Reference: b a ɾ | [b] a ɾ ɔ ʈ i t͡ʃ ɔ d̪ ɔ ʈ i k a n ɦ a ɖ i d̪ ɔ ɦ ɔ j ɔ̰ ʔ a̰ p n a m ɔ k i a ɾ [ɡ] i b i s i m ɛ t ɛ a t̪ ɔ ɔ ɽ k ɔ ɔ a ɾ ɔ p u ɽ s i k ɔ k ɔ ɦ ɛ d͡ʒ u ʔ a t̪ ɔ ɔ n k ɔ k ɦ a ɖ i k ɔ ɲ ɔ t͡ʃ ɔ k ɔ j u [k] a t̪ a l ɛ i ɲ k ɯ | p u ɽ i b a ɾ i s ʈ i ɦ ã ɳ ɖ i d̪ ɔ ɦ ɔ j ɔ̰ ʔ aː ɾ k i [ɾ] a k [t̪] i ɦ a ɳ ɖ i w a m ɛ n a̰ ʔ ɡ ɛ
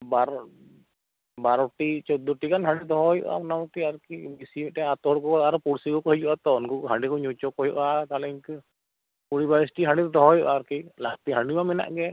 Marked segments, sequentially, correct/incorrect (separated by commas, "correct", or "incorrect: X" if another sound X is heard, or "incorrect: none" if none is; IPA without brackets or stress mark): correct, incorrect: k, incorrect: ʔ, incorrect: l, correct